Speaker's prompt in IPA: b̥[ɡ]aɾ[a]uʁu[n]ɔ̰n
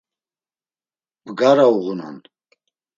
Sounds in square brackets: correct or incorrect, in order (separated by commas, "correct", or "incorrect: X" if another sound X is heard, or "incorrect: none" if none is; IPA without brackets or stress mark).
correct, correct, correct